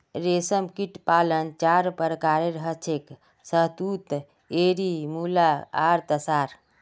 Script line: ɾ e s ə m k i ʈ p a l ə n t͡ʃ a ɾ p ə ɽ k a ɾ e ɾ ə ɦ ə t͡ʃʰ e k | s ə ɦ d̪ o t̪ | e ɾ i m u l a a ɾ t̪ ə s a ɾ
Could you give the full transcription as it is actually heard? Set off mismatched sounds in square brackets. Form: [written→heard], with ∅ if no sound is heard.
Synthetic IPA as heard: ɾ e s ə m k i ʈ p a l ə n t͡ʃ a ɾ p ə [ɽ→ɾ] k a ɾ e ɾ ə ɦ ə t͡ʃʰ e k | s ə ɦ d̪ [o→u] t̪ | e ɾ i m u l a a ɾ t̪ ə s a ɾ